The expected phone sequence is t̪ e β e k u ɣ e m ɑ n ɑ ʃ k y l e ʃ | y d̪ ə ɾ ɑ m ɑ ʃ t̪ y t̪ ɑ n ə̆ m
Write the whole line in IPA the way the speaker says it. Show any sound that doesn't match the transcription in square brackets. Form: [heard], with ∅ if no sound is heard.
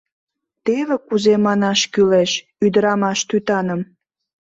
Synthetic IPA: t̪ e β e k u [z] e m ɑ n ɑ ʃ k y l e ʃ | y d̪ ə ɾ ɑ m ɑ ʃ t̪ y t̪ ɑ n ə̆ m